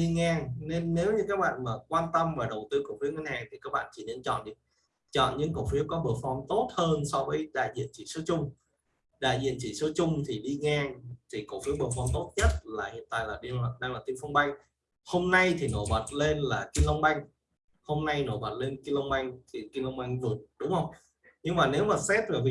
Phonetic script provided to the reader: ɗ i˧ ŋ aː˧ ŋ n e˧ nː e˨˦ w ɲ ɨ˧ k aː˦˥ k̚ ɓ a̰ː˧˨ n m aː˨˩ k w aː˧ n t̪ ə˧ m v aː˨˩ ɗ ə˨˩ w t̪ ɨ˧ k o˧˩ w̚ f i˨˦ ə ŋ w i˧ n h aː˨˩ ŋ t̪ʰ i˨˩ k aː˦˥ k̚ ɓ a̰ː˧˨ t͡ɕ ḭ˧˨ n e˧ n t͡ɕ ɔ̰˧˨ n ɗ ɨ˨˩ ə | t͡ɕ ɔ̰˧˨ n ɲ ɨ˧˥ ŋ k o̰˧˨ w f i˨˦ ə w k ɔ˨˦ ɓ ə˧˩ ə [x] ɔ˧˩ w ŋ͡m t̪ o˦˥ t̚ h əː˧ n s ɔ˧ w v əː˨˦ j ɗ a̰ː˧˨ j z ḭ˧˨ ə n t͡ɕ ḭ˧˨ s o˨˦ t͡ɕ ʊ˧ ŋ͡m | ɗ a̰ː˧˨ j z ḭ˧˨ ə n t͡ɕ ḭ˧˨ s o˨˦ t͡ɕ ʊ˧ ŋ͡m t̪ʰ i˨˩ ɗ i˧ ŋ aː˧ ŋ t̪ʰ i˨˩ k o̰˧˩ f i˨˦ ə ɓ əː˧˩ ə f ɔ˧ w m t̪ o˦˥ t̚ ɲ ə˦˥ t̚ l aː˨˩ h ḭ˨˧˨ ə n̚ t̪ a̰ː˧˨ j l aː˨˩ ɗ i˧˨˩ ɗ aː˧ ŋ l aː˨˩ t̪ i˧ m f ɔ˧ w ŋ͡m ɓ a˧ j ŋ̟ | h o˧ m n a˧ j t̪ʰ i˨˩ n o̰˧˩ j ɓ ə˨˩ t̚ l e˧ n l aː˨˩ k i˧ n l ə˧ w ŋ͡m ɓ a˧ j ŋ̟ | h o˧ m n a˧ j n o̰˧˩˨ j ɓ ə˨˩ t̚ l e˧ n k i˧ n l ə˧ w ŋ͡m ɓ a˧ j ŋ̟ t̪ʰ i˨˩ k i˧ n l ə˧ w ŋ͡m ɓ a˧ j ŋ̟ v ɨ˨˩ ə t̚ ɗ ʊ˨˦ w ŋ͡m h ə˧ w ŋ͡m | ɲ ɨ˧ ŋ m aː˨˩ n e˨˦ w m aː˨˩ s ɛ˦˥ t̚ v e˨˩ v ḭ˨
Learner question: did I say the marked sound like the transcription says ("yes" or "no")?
no